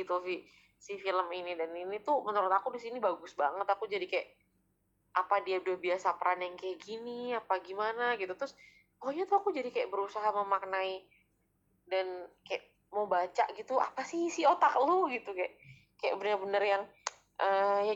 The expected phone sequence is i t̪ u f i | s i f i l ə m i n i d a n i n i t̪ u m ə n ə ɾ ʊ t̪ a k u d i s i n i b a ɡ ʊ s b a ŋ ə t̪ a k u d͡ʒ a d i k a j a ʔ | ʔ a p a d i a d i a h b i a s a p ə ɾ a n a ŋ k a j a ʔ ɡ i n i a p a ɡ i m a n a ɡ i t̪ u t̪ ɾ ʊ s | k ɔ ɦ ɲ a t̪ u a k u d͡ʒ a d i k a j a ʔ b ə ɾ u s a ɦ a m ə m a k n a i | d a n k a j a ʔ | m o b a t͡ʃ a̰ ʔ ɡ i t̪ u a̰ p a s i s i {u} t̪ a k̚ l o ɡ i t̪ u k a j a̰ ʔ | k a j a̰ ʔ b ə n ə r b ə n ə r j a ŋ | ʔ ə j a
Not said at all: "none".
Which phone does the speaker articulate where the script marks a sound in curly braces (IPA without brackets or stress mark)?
o